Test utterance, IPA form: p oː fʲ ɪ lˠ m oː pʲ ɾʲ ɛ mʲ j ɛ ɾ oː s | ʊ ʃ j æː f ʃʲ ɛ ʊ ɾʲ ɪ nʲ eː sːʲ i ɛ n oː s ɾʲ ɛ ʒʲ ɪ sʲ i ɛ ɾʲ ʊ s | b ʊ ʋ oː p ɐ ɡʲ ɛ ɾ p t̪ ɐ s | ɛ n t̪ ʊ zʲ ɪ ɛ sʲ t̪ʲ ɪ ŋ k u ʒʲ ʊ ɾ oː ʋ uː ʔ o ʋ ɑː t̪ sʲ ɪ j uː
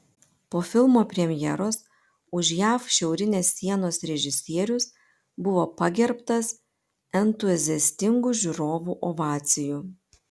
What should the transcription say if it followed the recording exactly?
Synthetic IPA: p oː fʲ ɪ lˠ m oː pʲ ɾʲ ɛ mʲ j ɛ ɾ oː s | ʊ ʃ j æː f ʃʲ ɛ ʊ ɾʲ ɪ nʲ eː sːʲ i ɛ n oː s ɾʲ ɛ ʒʲ ɪ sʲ i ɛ ɾʲ ʊ s | b ʊ ʋ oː p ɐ ɡʲ ɛ ɾ p t̪ ɐ s | ɛ n t̪ ʊ zʲ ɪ ɛ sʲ t̪ʲ ɪ ŋ ɡ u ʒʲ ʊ ɾ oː ʋ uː ʔ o ʋ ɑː t̪ sʲ ɪ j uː